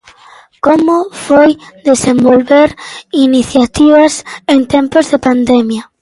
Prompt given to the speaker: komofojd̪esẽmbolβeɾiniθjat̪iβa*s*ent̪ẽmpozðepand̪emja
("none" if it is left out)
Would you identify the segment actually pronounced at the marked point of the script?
s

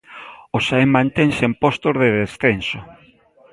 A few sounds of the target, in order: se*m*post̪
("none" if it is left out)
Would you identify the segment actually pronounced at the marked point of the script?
m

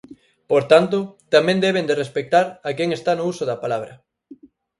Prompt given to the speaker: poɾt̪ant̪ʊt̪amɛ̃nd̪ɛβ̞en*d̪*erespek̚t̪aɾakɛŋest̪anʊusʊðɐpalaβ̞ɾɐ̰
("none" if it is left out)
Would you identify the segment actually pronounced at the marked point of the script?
d̪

